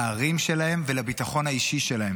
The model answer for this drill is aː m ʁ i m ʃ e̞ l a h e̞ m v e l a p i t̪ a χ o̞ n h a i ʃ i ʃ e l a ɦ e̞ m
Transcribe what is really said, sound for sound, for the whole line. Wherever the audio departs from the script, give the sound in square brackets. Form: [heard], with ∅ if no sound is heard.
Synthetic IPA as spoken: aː [∅] ʁ i m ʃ e̞ l a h e̞ m v e l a [b] i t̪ a χ o̞ n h a i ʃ i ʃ e l a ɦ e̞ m